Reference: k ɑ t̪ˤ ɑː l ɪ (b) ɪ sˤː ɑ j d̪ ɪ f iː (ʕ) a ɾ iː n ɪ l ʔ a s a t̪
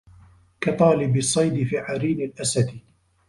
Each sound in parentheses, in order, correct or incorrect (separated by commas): correct, correct